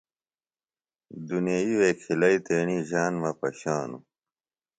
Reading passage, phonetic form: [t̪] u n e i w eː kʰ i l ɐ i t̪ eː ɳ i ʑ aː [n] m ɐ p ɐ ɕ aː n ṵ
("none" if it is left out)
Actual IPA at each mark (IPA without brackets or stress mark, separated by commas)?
d̪, n